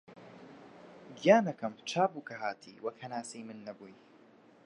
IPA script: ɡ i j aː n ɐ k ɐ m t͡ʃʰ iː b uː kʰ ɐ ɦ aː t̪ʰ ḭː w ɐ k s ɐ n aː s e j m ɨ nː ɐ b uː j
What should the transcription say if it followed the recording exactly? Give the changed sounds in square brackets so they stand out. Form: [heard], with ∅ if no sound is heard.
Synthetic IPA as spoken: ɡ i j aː n ɐ k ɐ m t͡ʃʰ [aː] b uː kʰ ɐ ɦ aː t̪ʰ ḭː w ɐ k [h] ɐ n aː s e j m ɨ nː ɐ b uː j